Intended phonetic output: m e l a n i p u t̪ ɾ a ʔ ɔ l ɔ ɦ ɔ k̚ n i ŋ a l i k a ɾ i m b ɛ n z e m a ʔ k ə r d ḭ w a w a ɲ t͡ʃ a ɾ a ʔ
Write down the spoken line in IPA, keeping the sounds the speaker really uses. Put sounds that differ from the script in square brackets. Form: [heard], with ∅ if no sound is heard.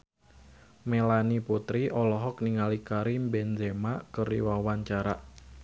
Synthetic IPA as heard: m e l a n i p u t̪ ɾ [i] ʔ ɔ l ɔ ɦ ɔ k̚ n i ŋ a l i k a ɾ i m b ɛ n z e m a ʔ k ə r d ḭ w a w a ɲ t͡ʃ a ɾ a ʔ